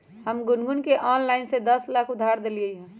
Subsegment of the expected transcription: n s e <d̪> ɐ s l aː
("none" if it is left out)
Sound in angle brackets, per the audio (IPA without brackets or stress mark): d̪